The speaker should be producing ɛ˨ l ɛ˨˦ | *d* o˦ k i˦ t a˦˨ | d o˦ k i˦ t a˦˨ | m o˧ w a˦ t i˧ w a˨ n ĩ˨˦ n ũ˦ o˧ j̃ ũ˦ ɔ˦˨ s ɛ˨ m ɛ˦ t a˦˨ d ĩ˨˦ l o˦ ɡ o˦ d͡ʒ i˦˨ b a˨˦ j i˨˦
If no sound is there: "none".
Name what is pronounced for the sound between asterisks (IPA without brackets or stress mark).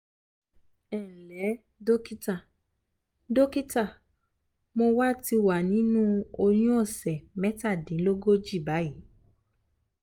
d